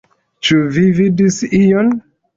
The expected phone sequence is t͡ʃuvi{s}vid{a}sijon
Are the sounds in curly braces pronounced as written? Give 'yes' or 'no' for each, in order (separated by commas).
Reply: no, no